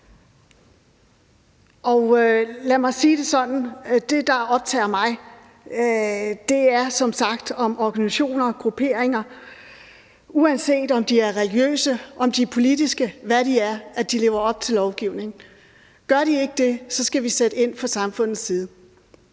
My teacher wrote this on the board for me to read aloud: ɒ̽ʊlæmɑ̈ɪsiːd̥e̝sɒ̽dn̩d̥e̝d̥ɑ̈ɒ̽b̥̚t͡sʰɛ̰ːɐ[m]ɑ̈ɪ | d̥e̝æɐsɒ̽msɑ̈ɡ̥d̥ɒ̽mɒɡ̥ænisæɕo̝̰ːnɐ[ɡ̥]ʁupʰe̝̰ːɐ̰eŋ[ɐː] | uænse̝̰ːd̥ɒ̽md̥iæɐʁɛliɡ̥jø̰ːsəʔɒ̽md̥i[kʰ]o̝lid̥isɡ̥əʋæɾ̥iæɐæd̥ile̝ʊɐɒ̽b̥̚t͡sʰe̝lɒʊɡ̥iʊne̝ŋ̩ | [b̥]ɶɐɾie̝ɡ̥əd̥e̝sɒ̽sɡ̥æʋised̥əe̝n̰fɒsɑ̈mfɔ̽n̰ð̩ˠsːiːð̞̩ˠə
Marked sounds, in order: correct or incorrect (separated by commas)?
correct, correct, incorrect, incorrect, incorrect